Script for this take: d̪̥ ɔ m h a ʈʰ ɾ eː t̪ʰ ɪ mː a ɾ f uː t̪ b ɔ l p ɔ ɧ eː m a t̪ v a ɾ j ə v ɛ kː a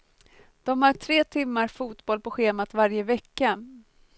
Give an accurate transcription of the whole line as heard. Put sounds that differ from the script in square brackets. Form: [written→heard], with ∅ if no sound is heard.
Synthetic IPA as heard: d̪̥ ɔ m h a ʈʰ ɾ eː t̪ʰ ɪ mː a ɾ f uː t̪ b ɔ l p ɔ ɧ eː m a t̪ v a ɾ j ə v ɛ kː a

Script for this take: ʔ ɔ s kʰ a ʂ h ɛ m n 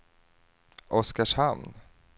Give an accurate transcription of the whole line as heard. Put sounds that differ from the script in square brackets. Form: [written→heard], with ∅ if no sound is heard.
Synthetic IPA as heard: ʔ ɔ s [kʰ→k] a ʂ h [ɛ→a] m n

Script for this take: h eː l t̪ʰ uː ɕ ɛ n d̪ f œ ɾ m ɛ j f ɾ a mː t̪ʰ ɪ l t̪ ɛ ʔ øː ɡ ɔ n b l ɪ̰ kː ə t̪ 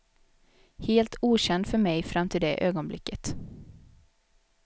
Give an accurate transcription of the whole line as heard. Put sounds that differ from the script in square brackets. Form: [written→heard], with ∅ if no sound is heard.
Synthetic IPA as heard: h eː l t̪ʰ uː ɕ ɛ n d̪ f œ ɾ m ɛ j f ɾ a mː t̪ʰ ɪ l [t̪→d̪] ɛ ʔ øː ɡ ɔ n b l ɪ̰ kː ə t̪

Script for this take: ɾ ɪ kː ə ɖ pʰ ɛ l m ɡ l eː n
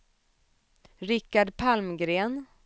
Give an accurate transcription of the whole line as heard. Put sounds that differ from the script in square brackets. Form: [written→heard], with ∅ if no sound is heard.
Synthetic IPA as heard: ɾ ɪ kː [ə→a] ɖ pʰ [ɛ→a] l m ɡ [l→ɾ] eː n

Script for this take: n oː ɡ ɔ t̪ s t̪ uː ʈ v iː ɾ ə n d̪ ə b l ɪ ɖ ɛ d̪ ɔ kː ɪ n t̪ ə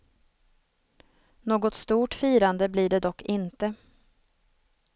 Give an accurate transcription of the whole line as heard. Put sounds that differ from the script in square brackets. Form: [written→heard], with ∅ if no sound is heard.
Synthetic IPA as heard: n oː ɡ ɔ t̪ s t̪ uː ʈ [v→f] iː ɾ [ə→a] n d̪ ə b l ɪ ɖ ɛ d̪ ɔ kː ɪ n t̪ ə

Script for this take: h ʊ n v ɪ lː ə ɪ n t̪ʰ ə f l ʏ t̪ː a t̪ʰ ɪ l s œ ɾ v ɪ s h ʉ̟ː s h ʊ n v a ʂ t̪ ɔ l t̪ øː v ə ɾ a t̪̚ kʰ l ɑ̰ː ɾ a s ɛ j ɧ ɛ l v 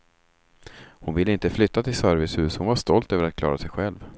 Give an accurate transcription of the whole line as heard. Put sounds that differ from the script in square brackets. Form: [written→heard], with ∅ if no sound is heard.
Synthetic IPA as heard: h ʊ n v ɪ lː ə ɪ n [t̪ʰ→t̪] ə f l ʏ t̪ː a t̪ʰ ɪ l s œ ɾ v ɪ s h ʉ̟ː s h ʊ n v a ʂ t̪ ɔ l t̪ øː v ə ɾ a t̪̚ kʰ l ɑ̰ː ɾ a s ɛ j ɧ ɛ l v

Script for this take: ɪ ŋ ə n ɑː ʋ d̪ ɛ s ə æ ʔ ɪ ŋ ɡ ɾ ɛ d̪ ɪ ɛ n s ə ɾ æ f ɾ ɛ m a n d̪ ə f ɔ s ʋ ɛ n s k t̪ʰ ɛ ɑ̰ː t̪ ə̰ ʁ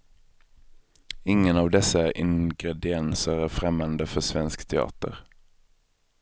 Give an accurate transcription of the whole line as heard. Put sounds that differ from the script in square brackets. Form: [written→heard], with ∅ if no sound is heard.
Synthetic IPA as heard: ɪ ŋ ə n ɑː ʋ d̪ ɛ s ə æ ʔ ɪ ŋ ɡ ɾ ɛ d̪ ɪ ɛ n s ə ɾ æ f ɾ ɛ m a n d̪ ə f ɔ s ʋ ɛ n s k t̪ʰ ɛ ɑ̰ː t̪ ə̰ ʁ

